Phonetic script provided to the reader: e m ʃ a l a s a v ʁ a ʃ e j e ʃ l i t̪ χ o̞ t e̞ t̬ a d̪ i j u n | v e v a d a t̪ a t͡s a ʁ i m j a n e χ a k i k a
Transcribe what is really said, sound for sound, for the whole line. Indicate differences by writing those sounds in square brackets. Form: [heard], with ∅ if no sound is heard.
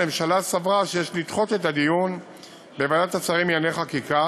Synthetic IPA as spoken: e m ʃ a l a s a v ʁ a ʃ e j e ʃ l i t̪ χ o̞ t e̞ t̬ a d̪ i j u n | [b] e v a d a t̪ a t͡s a ʁ i m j a n e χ a k i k a